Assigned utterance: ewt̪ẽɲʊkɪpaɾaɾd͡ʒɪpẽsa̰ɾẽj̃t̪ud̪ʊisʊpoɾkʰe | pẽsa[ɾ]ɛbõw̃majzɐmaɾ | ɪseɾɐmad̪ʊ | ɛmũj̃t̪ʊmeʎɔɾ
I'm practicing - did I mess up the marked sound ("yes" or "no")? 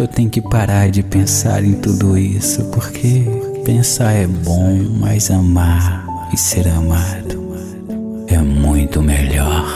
no